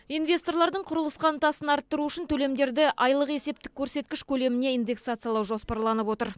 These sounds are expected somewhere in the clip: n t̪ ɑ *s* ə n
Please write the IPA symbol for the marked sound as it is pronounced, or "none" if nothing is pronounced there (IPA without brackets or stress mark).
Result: s